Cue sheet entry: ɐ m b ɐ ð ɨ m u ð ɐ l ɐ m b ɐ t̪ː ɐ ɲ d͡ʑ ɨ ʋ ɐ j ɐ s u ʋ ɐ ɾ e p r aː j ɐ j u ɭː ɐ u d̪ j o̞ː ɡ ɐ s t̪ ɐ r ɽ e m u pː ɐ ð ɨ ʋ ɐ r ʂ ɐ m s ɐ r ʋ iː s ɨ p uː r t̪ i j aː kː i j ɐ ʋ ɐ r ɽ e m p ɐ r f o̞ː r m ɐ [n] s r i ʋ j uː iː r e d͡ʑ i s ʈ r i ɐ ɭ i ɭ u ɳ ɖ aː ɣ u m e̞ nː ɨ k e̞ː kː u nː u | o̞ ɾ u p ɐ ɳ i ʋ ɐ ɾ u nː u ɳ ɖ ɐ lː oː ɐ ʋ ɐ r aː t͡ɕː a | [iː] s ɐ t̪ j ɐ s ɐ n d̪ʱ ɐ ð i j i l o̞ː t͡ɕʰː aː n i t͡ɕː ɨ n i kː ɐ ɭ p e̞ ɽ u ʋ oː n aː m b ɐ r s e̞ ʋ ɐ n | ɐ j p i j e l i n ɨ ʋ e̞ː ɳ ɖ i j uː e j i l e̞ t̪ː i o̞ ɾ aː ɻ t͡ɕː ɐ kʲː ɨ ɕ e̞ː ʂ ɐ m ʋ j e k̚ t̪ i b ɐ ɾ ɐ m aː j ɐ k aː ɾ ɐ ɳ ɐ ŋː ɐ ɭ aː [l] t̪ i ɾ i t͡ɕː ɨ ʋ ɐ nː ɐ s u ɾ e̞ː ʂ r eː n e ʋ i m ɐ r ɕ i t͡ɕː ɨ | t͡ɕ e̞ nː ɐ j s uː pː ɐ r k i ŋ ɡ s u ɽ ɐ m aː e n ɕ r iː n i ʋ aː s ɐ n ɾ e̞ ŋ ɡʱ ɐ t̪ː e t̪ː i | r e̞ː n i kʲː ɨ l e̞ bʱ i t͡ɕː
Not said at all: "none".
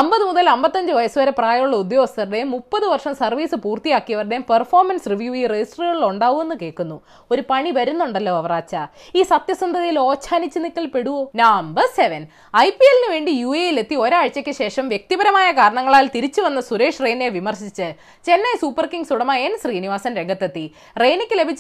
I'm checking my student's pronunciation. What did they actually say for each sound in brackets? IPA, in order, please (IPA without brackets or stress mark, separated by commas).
n, iː, l